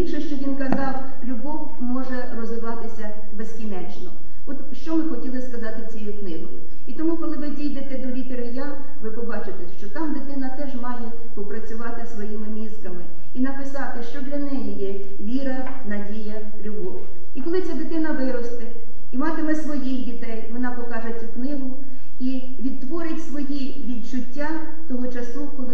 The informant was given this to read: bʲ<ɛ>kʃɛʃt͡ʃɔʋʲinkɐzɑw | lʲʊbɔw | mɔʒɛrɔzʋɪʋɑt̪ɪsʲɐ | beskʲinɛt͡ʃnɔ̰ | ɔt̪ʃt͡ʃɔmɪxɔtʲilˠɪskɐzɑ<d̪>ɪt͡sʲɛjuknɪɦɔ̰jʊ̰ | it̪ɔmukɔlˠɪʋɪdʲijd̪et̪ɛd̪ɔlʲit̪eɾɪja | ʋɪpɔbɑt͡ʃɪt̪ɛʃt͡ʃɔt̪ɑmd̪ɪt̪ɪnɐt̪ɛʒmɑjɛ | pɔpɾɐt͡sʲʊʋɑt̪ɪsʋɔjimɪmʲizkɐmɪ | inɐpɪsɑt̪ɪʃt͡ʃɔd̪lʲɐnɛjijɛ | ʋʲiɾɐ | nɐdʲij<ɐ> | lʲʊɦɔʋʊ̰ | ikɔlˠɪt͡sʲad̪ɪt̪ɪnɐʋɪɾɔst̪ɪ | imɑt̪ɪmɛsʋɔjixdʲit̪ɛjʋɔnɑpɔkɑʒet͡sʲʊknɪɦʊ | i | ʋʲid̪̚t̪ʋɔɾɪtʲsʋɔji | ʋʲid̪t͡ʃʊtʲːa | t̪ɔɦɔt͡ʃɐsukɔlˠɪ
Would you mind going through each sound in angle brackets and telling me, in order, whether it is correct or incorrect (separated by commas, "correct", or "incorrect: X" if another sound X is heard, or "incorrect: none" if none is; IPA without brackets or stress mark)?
incorrect: i, incorrect: t̪, correct